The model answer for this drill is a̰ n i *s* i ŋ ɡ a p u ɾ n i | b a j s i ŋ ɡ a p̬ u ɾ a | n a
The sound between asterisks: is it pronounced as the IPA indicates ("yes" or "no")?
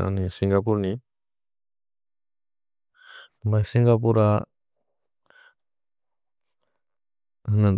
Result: yes